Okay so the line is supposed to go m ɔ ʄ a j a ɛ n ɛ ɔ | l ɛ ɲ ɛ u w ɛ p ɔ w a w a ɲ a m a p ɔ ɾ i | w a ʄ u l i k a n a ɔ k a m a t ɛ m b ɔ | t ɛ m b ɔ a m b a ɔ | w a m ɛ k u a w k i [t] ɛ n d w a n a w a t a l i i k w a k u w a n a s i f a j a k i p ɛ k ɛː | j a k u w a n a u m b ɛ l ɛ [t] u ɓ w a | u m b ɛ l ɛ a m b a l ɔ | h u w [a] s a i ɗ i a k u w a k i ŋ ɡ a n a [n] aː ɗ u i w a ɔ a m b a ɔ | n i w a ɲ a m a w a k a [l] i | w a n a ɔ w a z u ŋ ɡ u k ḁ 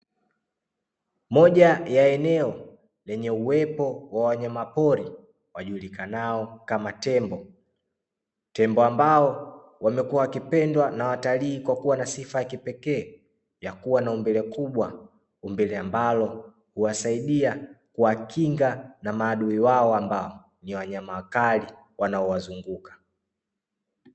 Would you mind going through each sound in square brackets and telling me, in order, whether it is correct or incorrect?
incorrect, incorrect, correct, incorrect, correct

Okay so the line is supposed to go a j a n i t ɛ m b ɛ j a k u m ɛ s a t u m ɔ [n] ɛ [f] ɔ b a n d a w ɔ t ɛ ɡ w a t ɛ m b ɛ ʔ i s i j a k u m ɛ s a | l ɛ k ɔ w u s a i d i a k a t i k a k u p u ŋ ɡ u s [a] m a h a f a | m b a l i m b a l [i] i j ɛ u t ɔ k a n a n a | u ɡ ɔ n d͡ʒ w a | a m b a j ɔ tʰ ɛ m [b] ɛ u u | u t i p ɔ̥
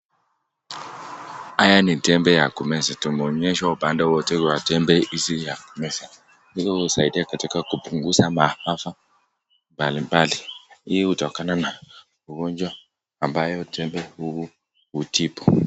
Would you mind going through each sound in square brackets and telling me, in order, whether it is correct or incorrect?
incorrect, incorrect, correct, correct, correct

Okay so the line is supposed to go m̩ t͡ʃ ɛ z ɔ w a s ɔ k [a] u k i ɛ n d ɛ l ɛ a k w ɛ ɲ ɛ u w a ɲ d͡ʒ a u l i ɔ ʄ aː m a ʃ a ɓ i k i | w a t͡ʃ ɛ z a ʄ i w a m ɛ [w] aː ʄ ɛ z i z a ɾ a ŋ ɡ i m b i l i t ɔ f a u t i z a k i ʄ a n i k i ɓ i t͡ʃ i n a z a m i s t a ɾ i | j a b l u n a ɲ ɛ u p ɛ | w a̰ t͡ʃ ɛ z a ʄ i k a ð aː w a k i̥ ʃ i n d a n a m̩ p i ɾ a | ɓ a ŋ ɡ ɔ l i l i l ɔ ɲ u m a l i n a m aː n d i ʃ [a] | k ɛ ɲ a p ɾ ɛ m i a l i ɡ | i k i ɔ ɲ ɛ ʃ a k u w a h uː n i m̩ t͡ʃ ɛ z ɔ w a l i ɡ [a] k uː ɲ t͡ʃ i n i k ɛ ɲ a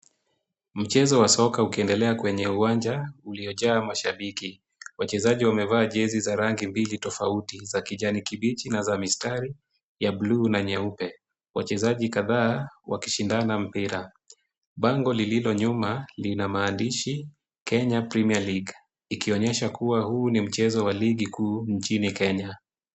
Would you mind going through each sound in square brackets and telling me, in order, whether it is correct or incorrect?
correct, incorrect, incorrect, incorrect

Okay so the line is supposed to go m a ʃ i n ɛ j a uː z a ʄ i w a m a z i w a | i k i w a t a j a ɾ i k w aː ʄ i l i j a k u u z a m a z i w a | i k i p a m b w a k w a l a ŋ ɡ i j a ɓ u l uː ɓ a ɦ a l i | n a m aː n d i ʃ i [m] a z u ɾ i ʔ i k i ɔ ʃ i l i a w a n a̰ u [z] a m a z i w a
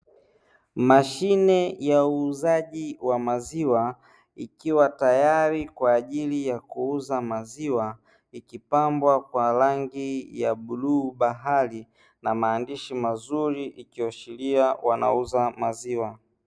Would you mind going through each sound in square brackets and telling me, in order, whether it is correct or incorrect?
correct, correct

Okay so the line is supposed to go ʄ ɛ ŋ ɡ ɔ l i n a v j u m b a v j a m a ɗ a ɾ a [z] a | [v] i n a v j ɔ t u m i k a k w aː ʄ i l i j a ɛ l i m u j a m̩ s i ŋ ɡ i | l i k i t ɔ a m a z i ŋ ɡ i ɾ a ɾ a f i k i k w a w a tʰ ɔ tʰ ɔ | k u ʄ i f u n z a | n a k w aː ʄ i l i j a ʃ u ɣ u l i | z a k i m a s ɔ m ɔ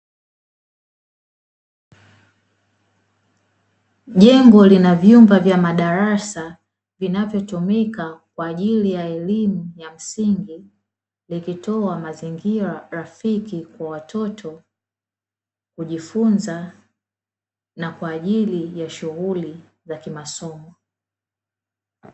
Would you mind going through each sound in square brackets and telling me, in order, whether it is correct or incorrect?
incorrect, correct

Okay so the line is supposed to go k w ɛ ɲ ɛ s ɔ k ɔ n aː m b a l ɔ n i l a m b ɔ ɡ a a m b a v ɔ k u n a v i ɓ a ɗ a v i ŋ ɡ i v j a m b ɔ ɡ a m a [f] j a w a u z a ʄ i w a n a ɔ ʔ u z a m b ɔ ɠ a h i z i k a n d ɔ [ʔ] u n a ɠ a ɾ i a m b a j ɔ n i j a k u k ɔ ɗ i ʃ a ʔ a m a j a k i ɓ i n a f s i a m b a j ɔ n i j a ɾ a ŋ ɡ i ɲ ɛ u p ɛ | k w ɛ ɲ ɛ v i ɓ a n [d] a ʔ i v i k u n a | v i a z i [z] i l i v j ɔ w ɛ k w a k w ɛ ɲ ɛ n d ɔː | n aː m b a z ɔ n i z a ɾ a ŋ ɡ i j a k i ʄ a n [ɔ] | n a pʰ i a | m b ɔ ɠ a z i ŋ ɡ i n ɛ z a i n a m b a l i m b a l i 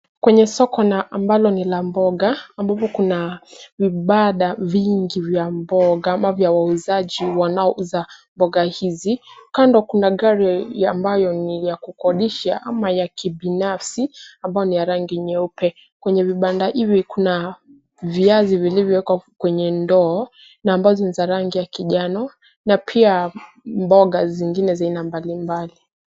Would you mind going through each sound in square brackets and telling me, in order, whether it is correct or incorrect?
incorrect, incorrect, correct, incorrect, correct

